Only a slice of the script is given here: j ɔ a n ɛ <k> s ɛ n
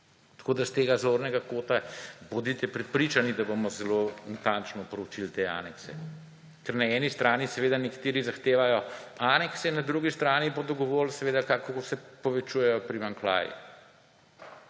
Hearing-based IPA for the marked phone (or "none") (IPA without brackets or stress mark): k